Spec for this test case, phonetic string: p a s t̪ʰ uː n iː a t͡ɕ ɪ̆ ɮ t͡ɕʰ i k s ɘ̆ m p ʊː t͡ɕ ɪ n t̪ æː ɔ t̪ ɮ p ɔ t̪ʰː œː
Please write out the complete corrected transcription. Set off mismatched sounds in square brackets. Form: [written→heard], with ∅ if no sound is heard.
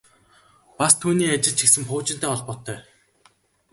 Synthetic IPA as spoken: p a s t̪ʰ uː n iː a t͡ɕ ɪ̆ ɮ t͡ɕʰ i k s ɘ̆ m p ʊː t͡ɕ ɪ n t̪ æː ɔ [t̪→∅] ɮ p ɔ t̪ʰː œː